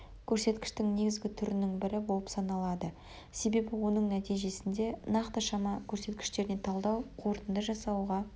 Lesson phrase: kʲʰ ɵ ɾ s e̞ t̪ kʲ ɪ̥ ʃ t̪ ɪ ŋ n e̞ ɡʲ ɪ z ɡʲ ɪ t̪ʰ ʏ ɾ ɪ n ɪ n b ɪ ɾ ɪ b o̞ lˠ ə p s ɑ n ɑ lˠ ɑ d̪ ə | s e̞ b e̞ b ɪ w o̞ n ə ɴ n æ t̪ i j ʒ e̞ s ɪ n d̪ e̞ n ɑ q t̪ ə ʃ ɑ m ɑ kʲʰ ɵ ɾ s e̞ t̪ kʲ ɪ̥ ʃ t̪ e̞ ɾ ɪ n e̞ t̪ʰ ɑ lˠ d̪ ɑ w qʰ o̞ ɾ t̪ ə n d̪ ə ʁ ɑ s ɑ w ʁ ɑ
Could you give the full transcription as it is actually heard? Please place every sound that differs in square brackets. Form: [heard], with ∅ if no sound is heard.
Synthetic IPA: kʲʰ ɵ ɾ s e̞ t̪ kʲ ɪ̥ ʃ t̪ ɪ ŋ n e̞ ɡʲ ɪ z ɡʲ ɪ t̪ʰ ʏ ɾ ɪ n ɪ [ŋ] b ɪ ɾ ɪ b o̞ lˠ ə p s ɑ n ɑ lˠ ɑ d̪ ə | s e̞ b e̞ b ɪ w o̞ n ə ɴ n æ t̪ i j ʒ e̞ s ɪ n d̪ e̞ n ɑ q t̪ ə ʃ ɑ m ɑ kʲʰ ɵ ɾ s e̞ t̪ kʲ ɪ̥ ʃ t̪ e̞ ɾ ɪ n e̞ t̪ʰ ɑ lˠ d̪ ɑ w qʰ o̞ ɾ t̪ ə n d̪ ə [ʒ] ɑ s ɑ w ʁ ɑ